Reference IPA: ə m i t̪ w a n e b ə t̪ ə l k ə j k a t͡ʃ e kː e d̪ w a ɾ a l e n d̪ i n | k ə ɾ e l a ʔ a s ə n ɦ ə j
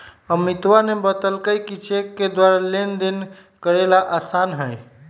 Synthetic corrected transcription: ə m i t̪ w a n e b ə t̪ ə l k ə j k i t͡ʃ e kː e d̪ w a ɾ a l e n d̪ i n | k ə ɾ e l a ʔ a s a n ɦ ə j